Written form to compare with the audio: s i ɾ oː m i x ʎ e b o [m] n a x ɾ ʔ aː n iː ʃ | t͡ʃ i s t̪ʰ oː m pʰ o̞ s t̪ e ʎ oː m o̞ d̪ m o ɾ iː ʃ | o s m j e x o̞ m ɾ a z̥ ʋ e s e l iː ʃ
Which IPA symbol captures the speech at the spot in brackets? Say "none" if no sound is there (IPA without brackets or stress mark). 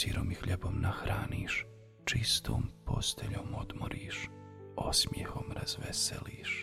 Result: m